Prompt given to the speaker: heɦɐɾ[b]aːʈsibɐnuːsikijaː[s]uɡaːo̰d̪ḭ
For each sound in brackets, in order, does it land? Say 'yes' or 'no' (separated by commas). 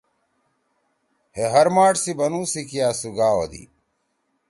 no, yes